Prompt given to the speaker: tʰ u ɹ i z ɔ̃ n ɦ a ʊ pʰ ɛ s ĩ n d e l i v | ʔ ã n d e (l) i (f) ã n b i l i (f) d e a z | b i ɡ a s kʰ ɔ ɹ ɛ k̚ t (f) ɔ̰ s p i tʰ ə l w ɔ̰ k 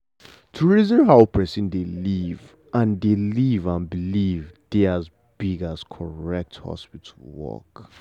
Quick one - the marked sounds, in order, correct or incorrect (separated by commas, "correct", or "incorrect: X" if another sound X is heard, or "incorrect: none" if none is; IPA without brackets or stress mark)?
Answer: correct, incorrect: v, incorrect: v, incorrect: h